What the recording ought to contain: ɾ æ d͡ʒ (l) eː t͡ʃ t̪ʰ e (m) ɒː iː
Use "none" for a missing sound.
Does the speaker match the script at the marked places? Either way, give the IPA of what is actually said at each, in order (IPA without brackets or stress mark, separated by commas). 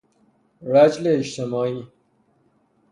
l, m